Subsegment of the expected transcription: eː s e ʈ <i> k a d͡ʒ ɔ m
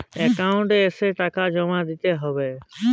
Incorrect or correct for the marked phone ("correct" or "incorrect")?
incorrect